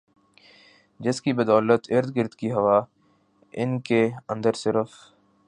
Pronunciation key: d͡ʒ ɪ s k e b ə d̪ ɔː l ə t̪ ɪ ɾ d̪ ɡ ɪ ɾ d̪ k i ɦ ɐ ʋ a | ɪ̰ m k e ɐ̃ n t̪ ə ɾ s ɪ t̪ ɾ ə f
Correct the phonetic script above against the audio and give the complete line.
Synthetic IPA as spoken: d͡ʒ ɪ s k i b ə d̪ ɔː l ə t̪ ɪ ɾ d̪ ɡ ɪ ɾ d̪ k i ɦ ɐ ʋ a | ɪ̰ n k e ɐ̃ n d̪ ə ɾ s ɪ ɾ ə f